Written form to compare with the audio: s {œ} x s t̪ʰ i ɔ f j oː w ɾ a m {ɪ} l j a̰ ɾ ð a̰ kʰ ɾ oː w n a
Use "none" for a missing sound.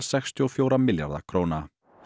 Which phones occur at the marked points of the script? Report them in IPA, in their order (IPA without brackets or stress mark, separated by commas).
ɛ, ɪ